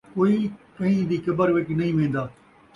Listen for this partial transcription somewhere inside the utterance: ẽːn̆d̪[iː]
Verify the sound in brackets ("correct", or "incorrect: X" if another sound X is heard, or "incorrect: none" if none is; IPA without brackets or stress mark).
incorrect: aː